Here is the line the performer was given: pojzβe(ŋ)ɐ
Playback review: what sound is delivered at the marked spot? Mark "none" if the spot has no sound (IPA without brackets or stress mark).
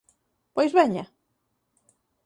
ɲ